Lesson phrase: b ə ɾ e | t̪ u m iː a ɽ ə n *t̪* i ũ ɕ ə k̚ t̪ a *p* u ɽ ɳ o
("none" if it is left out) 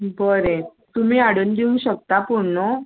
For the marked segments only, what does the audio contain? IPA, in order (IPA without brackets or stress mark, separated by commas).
d̪, p